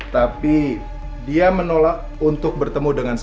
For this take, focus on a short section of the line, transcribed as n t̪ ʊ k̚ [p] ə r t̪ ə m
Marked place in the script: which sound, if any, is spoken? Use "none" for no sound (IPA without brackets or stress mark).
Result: b